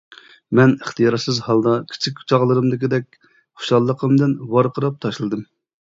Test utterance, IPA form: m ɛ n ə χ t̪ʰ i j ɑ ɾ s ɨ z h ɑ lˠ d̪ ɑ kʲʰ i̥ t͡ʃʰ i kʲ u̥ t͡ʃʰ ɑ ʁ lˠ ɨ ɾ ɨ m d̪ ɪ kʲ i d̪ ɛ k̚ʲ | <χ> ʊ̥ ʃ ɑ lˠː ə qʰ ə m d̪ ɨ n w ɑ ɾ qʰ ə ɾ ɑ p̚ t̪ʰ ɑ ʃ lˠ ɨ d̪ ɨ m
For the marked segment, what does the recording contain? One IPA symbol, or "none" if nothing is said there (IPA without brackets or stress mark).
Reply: χ